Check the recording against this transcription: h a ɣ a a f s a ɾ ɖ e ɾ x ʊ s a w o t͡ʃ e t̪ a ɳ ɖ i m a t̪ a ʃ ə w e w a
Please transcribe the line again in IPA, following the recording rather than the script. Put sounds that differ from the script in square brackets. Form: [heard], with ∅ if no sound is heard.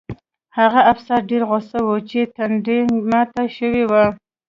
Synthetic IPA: h a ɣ a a f s a ɾ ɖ e ɾ [ɣ] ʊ s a w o t͡ʃ e t̪ a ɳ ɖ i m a t̪ a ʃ ə w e w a